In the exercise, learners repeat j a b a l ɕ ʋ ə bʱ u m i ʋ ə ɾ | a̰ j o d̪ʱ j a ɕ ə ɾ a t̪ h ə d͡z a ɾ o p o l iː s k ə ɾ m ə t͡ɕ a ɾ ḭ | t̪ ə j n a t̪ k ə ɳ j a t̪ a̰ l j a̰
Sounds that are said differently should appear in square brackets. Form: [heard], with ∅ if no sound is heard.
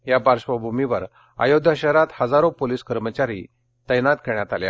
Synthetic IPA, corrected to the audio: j a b a [ɾ] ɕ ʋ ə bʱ u m i ʋ ə ɾ | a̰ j o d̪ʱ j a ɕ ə ɾ a t̪ h ə d͡z a ɾ o p o l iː s k ə ɾ m ə t͡ɕ a ɾ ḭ | t̪ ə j n a t̪ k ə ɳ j a t̪ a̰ l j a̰